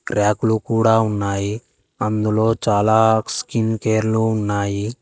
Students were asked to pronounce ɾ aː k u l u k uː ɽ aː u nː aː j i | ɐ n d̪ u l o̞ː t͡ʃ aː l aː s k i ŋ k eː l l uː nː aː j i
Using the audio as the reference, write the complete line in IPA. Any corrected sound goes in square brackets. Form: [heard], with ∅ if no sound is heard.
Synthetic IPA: ɾ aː k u l u k uː ɽ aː u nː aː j i | ɐ n d̪ u l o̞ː t͡ʃ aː l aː s k i [n] k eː [ɾ] l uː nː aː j i